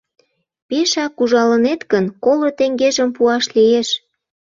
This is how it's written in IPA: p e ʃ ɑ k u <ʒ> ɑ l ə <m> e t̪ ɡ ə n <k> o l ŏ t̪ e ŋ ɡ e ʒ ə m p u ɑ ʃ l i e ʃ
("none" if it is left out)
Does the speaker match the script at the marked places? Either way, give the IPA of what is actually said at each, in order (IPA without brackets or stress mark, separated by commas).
ʒ, n, k